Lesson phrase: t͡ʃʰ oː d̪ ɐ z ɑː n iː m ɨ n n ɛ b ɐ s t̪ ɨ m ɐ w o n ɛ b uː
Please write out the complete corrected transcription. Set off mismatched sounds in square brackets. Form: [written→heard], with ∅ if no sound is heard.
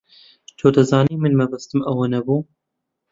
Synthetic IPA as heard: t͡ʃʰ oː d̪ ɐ z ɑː n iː m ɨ n [n→m] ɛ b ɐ s t̪ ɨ m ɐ w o n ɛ b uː